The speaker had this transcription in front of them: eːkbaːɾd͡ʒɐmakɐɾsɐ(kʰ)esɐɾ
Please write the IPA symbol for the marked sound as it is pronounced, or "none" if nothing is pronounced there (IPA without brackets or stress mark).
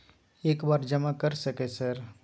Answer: k